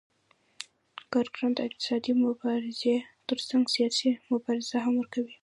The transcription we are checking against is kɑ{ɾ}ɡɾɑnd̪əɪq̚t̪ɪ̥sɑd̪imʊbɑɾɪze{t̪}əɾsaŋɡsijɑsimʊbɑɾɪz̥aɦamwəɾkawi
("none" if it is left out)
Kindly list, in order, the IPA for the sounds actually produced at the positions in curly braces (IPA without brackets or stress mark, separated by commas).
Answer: ɾ, t̪